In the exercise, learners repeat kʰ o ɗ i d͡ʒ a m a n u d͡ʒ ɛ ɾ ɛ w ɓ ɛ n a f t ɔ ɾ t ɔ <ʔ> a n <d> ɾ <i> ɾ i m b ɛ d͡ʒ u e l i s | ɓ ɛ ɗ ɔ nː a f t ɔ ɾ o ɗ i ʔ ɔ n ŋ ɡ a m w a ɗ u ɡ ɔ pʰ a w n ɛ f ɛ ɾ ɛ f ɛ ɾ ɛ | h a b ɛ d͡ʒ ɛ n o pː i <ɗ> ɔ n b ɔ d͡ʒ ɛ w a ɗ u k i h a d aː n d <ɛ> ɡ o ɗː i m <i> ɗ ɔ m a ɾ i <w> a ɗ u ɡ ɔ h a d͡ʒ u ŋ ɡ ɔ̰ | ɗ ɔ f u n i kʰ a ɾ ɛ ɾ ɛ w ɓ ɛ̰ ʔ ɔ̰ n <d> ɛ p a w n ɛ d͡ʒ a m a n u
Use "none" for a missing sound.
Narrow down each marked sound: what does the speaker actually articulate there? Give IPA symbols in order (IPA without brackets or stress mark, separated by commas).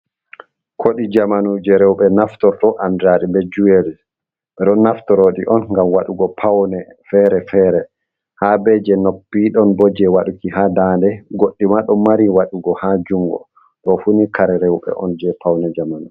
ʔ, d, a, ɗ, ɛ, a, w, d͡ʒ